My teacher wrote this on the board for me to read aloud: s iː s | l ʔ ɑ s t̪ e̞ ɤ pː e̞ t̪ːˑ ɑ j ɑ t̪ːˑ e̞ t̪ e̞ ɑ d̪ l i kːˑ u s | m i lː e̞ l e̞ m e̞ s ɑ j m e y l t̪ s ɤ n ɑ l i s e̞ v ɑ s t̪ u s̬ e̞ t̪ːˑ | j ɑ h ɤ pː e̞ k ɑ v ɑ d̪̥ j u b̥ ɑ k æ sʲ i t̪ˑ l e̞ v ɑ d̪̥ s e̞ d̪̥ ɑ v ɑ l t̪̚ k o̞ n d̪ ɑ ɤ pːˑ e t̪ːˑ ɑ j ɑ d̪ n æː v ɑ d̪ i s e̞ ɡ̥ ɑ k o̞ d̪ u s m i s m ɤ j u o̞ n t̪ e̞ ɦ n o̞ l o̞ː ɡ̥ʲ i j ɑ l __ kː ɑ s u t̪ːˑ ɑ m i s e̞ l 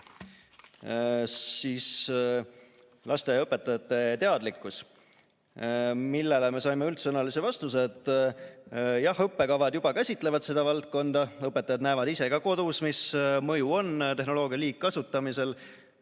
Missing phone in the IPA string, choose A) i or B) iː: B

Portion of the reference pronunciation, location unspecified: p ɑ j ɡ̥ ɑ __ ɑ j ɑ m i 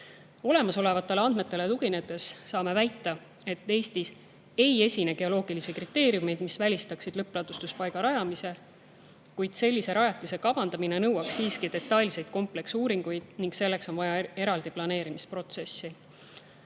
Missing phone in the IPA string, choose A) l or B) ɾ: B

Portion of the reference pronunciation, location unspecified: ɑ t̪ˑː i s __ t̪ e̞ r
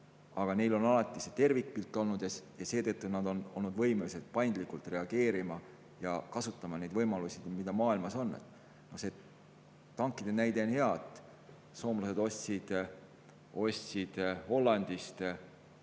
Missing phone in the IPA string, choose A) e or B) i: A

